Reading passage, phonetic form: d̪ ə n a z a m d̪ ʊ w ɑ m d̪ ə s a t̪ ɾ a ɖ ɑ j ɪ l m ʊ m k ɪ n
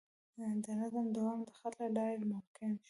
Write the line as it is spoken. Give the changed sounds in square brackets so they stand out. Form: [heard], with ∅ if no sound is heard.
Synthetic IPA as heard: d̪ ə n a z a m d̪ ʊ w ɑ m d̪ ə [x] a t̪ [l] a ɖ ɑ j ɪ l m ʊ m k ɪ n